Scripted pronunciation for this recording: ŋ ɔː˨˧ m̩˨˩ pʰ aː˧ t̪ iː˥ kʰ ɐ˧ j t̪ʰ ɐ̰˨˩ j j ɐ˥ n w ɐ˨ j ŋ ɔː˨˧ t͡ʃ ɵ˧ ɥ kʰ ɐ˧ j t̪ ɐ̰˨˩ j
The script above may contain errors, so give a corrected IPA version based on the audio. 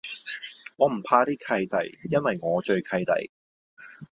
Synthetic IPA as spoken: ŋ ɔː˨˧ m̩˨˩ pʰ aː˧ t̪ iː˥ kʰ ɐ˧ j t̪ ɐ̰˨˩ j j ɐ˥ n w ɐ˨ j ŋ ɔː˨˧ t͡ʃ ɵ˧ ɥ kʰ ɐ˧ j t̪ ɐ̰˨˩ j